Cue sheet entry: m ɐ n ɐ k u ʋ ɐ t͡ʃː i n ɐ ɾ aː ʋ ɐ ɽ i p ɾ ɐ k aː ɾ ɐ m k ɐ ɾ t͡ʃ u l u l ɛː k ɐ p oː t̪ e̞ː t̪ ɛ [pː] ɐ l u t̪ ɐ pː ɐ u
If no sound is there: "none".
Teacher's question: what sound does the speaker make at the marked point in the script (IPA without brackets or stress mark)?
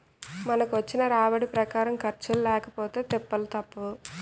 pː